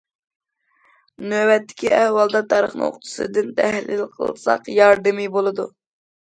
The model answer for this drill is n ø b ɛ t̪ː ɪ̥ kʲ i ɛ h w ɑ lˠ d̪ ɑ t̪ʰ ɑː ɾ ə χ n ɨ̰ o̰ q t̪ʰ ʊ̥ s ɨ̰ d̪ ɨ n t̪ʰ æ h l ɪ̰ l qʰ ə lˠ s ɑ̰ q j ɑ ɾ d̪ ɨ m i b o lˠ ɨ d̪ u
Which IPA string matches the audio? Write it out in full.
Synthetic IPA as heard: n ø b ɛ t̪ː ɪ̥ kʲ i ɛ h w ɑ lˠ d̪ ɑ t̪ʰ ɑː ɾ ə χ n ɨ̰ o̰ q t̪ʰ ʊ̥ s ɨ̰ d̪ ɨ n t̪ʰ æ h l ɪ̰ l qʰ ə lˠ s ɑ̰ q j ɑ ɾ d̪ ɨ m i b o lˠ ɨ d̪ u